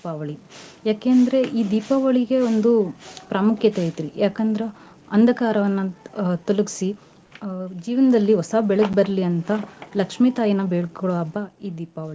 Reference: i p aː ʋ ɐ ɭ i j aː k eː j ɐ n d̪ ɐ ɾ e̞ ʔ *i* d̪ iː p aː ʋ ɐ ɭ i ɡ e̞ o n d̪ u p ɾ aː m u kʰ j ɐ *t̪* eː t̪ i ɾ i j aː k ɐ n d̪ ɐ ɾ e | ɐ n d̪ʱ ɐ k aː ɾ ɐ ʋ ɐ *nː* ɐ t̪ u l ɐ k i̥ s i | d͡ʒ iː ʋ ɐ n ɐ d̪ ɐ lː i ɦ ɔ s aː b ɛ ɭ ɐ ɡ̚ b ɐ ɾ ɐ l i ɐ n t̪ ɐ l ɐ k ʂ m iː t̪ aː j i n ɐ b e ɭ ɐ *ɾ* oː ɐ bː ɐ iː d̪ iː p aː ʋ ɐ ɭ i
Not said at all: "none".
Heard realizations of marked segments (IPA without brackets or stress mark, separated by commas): iː, t̪, nː, ɭ